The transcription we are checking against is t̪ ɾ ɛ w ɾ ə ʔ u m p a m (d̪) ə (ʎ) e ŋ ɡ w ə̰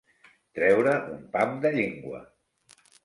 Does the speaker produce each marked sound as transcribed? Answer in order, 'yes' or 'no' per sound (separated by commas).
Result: yes, yes